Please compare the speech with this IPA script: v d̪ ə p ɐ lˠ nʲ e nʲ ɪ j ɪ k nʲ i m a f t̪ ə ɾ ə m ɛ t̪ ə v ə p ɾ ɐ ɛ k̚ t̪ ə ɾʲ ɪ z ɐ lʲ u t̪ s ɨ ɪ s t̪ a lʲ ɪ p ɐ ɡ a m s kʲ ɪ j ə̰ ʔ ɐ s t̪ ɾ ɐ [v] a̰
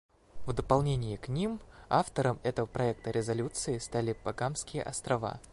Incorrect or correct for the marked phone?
correct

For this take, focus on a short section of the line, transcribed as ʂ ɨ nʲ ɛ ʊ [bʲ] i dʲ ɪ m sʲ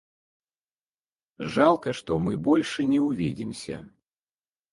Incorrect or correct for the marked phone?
incorrect: vʲ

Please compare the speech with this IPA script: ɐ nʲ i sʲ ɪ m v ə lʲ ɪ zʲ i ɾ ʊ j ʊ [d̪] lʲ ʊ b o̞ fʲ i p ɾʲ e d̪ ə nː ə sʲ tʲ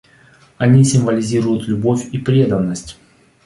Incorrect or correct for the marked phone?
incorrect: t̪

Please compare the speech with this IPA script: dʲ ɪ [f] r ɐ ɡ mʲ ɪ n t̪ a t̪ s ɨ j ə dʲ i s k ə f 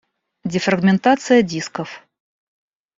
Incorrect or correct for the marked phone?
correct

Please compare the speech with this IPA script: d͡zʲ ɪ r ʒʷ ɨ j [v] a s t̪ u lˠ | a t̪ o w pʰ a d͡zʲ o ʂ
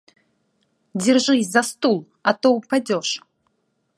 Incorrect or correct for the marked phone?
incorrect: z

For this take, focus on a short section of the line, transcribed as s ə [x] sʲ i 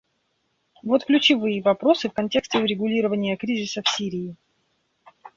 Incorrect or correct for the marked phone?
incorrect: f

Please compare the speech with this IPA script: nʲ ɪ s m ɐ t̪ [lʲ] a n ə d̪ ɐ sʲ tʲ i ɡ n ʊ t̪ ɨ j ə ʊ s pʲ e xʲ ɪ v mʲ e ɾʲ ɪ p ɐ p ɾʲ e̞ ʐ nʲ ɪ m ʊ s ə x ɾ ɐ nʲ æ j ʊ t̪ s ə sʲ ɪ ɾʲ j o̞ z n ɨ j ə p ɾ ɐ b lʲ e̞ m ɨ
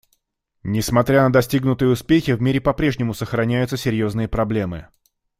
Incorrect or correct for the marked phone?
incorrect: ɾʲ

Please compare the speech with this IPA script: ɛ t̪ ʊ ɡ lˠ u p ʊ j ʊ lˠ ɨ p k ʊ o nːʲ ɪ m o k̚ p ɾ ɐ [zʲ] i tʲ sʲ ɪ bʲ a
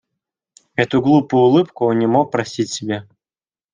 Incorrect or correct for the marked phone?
incorrect: sʲ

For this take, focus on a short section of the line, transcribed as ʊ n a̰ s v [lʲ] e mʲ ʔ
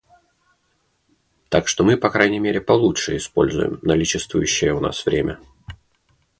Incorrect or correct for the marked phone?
incorrect: ɾʲ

